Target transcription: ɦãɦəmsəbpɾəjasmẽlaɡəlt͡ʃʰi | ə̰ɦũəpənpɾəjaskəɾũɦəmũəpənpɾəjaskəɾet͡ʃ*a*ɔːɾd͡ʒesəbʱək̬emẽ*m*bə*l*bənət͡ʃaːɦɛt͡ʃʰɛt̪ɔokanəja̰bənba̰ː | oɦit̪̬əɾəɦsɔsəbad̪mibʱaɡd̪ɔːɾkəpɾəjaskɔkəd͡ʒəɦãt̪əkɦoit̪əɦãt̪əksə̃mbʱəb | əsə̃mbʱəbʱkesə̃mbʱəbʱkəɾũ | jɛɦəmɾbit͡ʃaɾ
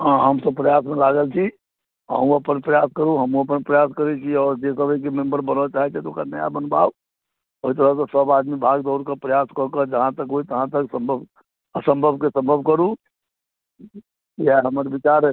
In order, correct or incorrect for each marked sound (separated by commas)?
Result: incorrect, correct, incorrect